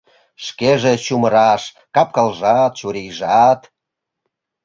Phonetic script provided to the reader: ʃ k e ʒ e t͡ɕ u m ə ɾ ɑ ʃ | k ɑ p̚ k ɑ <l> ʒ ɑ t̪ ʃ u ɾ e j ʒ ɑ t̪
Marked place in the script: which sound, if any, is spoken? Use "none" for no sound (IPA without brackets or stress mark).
l